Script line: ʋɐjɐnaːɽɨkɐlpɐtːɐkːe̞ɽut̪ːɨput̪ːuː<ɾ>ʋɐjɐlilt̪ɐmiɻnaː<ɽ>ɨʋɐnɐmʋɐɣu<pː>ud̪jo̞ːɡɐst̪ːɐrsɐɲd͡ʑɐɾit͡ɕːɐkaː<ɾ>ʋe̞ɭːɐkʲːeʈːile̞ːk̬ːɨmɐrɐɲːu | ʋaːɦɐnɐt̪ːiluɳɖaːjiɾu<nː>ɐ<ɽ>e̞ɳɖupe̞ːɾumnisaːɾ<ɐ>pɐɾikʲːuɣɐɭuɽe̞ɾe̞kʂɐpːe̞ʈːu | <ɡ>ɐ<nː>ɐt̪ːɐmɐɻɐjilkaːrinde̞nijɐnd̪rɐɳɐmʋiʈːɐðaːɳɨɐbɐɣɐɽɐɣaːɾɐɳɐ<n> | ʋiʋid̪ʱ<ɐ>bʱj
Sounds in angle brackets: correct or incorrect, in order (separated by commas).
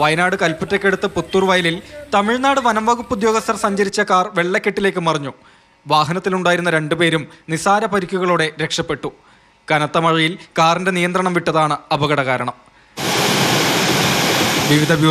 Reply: incorrect, correct, correct, incorrect, correct, incorrect, correct, incorrect, incorrect, incorrect, correct